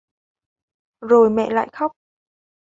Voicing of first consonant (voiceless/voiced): voiced